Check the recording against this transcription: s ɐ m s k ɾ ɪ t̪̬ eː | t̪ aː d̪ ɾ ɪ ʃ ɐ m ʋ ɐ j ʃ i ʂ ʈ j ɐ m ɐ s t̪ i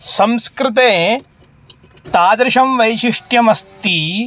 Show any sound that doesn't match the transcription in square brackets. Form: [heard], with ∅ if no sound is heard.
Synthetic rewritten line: s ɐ m s k ɾ ɪ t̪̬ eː | t̪ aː d̪ ɾ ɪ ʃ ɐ m ʋ ɐ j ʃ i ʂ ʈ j ɐ m ɐ s t̪ i